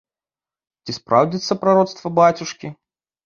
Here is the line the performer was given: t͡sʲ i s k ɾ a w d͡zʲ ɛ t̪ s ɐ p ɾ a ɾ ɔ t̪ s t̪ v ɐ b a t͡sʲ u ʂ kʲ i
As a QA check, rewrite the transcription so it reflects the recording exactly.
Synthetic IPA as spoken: t͡sʲ i s p ɾ a w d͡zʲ i t̪ s ɐ p ɾ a ɾ ɔ t̪ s t̪ v ɐ b a t͡sʲ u ʂ kʲ i

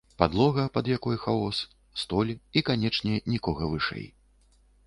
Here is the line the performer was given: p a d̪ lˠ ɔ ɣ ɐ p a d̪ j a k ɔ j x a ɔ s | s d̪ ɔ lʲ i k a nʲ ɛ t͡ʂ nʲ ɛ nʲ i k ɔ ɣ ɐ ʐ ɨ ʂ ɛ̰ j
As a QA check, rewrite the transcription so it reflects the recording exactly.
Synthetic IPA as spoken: p a d̪ lˠ ɔ ɣ ɐ p ɐ d̪ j a k ɔ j x a ɔ s | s t̪ ɔ lʲ i k a nʲ ɛ t͡ʂ nʲ ɛ nʲ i k ɔ ɣ ɐ v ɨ ʂ ɛ̰ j

